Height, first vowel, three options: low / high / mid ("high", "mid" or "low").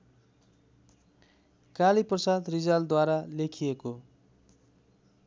low